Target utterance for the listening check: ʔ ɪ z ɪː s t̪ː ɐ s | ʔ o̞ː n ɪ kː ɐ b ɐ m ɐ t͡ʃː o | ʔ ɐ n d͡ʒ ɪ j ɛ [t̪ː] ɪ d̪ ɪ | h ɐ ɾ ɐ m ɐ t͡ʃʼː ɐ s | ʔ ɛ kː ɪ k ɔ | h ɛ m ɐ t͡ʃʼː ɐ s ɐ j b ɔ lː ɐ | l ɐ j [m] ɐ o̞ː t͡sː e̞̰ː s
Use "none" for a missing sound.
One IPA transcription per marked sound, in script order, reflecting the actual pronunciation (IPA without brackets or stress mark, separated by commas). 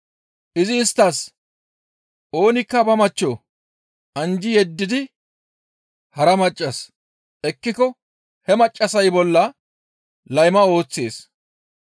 d̪ː, m